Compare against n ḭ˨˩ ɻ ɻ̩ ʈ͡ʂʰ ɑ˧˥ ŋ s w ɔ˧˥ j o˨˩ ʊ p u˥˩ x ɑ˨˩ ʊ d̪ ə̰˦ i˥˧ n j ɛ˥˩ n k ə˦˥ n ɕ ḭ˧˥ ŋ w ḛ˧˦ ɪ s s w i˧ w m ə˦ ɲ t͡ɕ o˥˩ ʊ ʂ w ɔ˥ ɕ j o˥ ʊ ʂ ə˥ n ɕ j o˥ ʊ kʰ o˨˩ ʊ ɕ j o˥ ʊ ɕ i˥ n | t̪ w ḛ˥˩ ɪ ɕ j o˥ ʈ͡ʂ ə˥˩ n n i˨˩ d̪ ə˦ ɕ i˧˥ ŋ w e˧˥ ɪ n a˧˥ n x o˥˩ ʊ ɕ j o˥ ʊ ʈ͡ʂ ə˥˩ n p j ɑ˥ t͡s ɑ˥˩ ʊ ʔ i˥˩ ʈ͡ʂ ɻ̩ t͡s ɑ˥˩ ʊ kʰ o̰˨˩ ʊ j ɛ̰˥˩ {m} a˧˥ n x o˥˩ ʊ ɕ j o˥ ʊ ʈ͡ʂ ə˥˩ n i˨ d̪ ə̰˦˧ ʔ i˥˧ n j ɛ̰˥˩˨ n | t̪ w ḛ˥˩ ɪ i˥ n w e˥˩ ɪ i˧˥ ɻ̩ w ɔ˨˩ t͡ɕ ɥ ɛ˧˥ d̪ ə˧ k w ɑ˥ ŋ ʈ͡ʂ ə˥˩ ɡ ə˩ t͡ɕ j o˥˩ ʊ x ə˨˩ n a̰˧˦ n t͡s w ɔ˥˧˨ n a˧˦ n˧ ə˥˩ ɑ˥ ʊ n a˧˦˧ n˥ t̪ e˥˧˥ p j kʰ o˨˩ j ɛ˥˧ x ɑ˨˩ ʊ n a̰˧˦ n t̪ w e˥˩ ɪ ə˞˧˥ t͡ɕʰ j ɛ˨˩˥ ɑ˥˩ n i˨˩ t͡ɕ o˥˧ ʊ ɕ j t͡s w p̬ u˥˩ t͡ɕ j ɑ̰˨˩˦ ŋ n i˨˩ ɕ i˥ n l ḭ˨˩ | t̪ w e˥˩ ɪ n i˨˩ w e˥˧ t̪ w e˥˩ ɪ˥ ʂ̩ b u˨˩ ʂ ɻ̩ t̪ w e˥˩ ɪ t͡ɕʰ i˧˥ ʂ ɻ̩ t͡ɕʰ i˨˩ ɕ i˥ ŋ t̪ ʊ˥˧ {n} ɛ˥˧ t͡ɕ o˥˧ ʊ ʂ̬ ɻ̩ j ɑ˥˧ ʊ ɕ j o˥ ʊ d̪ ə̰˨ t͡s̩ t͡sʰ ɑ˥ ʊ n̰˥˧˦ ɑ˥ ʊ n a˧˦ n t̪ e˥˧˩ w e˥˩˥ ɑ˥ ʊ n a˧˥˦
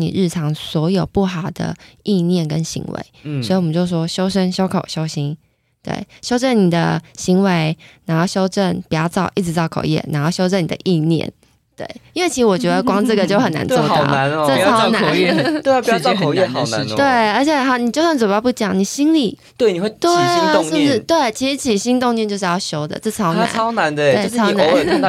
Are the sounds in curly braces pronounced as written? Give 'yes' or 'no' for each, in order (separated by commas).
no, no